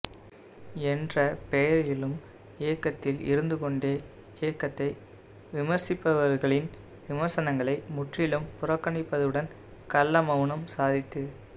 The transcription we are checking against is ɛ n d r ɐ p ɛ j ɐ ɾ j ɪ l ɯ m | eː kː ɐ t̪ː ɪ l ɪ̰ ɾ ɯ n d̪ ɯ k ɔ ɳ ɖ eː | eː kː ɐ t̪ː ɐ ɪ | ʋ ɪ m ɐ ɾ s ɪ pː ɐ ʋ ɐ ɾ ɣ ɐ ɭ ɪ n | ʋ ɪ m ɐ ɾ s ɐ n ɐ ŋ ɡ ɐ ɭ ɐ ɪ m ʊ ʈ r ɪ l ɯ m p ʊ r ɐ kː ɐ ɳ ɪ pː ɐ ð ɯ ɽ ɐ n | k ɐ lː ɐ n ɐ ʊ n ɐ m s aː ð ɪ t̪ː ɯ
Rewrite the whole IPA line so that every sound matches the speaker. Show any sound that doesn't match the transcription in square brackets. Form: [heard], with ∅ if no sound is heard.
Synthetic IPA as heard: ɛ n d r ɐ p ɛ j ɐ ɾ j ɪ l ɯ m | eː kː ɐ t̪ː ɪ l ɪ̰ ɾ ɯ n d̪ ɯ k ɔ ɳ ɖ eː | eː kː ɐ t̪ː ɐ ɪ | ʋ ɪ m ɐ ɾ s ɪ pː ɐ ʋ ɐ ɾ ɣ ɐ ɭ ɪ n | ʋ ɪ m ɐ ɾ s ɐ n ɐ ŋ ɡ ɐ ɭ ɐ ɪ m ʊ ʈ r ɪ l ɯ m p ʊ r ɐ kː ɐ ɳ ɪ pː ɐ ð ɯ ɽ ɐ n | k ɐ lː ɐ [m] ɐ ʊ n ɐ m s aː ð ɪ t̪ː ɯ